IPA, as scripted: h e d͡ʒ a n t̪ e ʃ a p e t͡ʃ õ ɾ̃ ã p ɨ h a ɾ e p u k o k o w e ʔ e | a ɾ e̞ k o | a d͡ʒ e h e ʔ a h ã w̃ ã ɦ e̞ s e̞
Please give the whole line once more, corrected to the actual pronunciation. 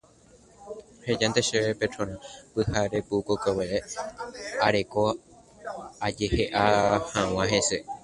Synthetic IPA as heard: h e d͡ʒ a n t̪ e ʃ e p e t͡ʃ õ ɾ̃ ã p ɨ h a ɾ e p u k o k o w e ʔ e | a ɾ e̞ k o | a d͡ʒ e h e ʔ a h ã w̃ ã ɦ e̞ s e̞